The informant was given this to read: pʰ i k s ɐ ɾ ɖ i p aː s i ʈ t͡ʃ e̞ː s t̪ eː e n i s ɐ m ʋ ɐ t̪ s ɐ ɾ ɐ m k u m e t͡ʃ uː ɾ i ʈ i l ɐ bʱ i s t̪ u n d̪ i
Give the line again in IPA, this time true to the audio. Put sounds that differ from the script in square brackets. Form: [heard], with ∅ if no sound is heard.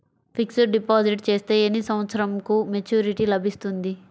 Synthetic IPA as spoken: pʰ i k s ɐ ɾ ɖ i p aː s i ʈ t͡ʃ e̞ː s t̪ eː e n i s ɐ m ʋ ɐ t̪ s ɐ ɾ ɐ m k u m e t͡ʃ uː ɾ i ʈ i l ɐ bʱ i s t̪ u n d̪ i